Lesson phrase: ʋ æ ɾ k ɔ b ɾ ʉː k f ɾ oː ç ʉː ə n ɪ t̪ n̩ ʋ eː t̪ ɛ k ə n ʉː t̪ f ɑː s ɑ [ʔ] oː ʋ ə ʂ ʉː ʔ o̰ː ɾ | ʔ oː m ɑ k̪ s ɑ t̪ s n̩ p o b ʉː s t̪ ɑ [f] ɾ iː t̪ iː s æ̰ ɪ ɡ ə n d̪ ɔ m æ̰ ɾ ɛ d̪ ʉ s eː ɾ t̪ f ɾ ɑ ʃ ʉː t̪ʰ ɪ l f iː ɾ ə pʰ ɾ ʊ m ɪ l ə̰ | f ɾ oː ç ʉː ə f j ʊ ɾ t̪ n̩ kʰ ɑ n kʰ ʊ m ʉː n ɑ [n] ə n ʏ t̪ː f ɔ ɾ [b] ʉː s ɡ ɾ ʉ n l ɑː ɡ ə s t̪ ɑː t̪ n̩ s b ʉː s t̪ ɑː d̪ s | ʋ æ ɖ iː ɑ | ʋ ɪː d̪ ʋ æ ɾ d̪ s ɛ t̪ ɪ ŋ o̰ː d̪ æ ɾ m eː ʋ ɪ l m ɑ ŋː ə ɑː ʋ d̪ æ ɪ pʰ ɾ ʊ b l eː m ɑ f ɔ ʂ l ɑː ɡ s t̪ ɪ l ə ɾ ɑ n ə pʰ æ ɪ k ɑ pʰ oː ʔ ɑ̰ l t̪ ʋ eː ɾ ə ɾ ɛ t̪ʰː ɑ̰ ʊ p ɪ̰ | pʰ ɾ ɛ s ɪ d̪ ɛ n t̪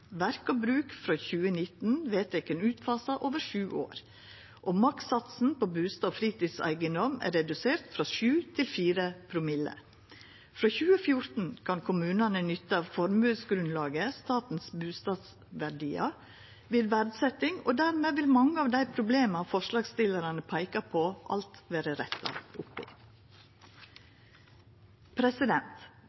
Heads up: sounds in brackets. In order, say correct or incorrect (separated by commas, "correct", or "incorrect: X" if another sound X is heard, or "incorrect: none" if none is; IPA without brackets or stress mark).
correct, correct, correct, incorrect: m